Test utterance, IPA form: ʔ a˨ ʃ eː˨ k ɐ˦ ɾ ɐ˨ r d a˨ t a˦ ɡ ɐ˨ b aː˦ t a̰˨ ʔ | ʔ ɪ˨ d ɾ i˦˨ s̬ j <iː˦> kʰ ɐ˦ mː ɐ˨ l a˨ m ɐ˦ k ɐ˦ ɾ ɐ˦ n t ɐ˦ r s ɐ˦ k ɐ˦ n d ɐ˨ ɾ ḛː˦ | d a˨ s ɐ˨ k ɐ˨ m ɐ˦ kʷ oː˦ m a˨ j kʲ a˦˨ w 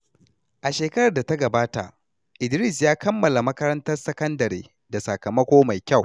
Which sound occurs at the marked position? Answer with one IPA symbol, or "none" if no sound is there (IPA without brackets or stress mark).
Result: aː˦